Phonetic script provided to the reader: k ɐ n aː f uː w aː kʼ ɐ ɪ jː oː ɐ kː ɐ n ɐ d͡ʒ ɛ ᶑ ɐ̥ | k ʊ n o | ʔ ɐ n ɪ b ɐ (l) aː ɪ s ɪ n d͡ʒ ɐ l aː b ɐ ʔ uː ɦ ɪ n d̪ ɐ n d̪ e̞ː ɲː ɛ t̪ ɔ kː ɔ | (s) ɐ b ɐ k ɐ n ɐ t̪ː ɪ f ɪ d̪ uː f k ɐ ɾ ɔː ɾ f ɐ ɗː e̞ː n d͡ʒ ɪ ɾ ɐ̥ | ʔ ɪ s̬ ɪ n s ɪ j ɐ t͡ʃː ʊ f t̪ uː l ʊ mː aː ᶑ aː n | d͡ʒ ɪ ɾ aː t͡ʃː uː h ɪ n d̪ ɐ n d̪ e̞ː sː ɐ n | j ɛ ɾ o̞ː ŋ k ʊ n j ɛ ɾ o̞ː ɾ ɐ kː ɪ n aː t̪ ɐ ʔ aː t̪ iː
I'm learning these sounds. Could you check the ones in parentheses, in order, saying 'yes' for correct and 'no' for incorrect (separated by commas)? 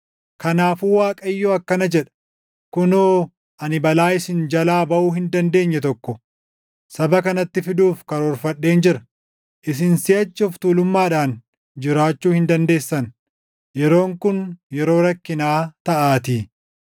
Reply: yes, yes